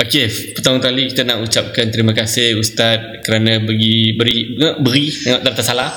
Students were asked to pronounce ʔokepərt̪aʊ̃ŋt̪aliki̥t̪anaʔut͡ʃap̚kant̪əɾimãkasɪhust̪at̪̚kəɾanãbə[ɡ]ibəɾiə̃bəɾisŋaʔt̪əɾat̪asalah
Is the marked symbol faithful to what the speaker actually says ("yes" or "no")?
yes